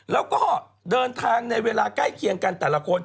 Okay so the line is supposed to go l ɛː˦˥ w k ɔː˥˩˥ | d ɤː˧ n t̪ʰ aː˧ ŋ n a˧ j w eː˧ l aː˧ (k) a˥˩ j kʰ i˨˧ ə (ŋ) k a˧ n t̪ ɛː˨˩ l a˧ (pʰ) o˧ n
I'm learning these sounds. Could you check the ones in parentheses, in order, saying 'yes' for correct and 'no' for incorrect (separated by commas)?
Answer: yes, yes, no